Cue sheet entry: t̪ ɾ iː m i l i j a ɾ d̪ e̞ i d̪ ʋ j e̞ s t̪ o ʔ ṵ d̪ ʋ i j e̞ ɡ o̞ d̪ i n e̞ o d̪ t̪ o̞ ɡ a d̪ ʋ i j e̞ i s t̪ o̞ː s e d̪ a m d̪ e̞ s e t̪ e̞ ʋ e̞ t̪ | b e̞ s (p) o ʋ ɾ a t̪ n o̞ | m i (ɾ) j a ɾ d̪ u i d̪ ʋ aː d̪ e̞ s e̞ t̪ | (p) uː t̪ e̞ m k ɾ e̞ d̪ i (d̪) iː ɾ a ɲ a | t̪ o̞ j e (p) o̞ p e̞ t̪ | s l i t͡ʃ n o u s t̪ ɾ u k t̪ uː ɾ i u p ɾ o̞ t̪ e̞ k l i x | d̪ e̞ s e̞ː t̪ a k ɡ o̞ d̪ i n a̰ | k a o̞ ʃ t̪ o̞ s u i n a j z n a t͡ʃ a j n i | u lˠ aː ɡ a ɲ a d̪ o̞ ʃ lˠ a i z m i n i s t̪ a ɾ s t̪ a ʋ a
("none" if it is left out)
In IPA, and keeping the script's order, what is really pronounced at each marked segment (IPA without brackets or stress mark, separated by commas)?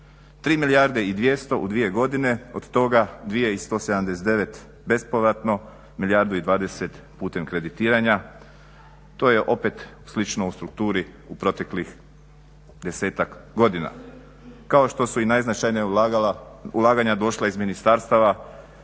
p, l, p, t̪, ʔ